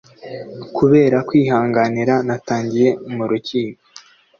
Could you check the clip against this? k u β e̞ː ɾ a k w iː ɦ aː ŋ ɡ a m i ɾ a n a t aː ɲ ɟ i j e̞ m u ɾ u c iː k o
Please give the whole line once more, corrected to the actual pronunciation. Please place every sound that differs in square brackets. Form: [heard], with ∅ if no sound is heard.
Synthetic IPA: k u β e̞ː ɾ a k w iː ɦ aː ŋ ɡ a [n] i ɾ a n a t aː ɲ ɟ i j e̞ m u ɾ u c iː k o